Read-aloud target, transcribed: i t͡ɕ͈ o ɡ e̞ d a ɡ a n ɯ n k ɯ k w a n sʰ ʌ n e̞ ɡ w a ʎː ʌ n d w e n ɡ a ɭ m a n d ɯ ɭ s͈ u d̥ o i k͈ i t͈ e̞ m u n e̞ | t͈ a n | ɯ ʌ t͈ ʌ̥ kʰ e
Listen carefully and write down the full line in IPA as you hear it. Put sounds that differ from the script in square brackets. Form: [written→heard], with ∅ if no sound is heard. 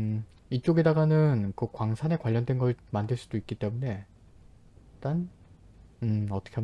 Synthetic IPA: i t͡ɕ͈ o ɡ e̞ d a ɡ a n ɯ n k ɯ k w a [n→ŋ] sʰ [ʌ→a] n e̞ [ɡ→k] w a ʎː ʌ n d w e n ɡ [a→ʌ] ɭ m a n d ɯ ɭ s͈ u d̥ o i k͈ i t͈ e̞ m u n e̞ | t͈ a n | ɯ ʌ t͈ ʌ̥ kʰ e